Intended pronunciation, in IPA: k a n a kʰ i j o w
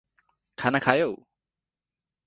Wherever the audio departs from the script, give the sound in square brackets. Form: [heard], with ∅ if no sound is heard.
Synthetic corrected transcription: [kʰ] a n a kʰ [a] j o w